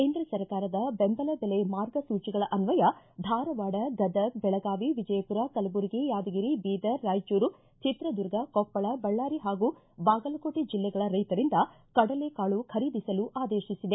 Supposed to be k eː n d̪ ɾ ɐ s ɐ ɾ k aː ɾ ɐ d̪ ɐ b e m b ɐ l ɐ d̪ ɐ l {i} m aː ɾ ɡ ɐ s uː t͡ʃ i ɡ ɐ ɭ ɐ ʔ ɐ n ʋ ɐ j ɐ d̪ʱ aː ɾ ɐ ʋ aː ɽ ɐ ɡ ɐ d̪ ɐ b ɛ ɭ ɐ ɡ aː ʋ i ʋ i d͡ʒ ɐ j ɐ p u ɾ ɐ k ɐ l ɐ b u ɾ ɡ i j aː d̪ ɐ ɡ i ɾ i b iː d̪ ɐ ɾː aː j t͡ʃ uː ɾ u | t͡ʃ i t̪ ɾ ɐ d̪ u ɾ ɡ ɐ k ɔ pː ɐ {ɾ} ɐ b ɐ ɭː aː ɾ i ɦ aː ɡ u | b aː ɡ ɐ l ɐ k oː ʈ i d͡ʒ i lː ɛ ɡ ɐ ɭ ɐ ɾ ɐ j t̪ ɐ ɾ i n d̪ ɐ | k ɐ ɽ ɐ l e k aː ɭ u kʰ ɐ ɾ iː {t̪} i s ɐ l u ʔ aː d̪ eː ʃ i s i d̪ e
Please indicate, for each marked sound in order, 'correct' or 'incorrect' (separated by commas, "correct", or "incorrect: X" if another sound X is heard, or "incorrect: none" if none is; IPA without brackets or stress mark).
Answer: incorrect: e, incorrect: ɭ, incorrect: d̪